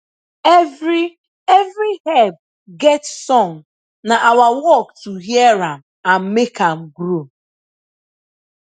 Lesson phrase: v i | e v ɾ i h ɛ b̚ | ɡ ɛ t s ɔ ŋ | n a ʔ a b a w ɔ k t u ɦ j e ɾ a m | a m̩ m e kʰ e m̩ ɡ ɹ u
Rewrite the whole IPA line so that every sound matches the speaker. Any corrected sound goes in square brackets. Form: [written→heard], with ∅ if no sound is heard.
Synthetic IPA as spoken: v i | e v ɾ i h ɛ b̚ | ɡ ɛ t s ɔ ŋ | n a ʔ a [b→w] a w ɔ k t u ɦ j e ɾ a m | a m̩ m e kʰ [e→a] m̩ ɡ [ɹ→ɾ] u